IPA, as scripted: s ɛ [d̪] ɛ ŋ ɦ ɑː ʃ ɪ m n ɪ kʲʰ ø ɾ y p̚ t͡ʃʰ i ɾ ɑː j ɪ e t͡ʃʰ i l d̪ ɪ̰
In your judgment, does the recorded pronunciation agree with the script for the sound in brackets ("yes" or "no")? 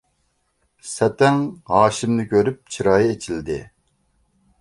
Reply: no